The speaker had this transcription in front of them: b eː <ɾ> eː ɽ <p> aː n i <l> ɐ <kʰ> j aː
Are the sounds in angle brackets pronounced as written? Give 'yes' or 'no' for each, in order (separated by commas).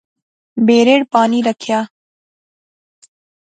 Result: yes, yes, no, yes